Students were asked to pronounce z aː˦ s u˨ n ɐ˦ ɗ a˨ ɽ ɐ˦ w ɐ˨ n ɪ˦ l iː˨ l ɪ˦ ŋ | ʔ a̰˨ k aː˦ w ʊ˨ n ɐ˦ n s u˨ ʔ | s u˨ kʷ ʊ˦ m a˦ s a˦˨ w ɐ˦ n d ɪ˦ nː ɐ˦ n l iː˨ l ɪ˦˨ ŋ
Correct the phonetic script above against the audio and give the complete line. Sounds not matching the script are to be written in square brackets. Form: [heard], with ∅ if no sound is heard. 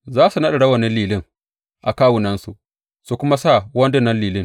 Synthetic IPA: z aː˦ s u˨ n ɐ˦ ɗ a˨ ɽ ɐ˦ w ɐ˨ n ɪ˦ l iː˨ l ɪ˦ ŋ | ʔ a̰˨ k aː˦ w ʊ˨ n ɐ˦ n s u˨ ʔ | s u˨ kʷ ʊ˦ m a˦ s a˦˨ w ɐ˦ n d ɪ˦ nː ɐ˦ n l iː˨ l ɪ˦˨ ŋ